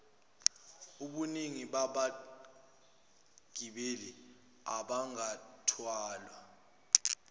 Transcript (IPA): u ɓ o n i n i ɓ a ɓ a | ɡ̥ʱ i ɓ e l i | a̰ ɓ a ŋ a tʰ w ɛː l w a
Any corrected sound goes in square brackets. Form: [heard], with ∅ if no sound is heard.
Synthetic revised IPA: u ɓ [u] n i [ŋ] i ɓ a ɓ a | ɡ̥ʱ i ɓ e l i | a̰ ɓ a ŋ a tʰ w [aː] l w a